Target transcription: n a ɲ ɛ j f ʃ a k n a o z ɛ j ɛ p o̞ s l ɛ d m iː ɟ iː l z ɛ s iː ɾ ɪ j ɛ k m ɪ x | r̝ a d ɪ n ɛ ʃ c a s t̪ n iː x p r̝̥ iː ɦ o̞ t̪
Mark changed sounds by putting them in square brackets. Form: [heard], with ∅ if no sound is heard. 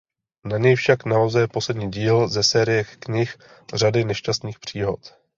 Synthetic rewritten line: n a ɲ ɛ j f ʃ a k n a o z ɛ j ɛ p o̞ s l ɛ d [ɲ] iː ɟ iː l z ɛ s [ɛː] ɾ ɪ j ɛ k [ɲ] ɪ x | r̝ a d ɪ n ɛ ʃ c a s t̪ n iː x p r̝̥ iː ɦ o̞ t̪